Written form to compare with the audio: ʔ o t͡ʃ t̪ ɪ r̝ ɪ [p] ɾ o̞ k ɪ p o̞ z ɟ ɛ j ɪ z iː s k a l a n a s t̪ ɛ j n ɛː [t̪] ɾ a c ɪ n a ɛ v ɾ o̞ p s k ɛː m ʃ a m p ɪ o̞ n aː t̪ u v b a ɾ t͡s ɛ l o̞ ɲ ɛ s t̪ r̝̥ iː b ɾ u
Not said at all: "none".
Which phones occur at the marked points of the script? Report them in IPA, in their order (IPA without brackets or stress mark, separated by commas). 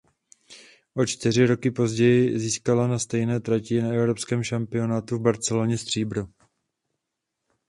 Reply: none, t̪